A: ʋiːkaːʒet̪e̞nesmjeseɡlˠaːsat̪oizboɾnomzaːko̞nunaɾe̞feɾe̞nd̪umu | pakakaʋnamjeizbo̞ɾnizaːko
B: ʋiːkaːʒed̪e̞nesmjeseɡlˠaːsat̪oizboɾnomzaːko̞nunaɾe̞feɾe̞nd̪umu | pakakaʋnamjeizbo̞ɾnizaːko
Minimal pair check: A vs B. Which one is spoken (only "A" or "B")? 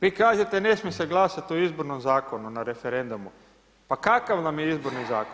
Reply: A